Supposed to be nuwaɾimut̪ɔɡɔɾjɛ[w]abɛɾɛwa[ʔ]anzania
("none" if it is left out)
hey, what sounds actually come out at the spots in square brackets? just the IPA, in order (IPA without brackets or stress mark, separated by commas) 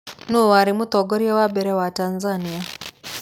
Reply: w, t